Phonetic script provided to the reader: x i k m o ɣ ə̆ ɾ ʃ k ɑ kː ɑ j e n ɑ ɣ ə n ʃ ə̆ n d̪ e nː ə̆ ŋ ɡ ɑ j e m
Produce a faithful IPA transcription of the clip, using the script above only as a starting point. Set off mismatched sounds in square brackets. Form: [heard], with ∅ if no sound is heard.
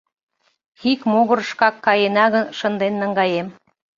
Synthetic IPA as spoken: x i k m o ɣ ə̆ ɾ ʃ k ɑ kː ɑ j e n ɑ ɣ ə n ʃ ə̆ n d̪ e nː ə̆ ŋ ɡ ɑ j e m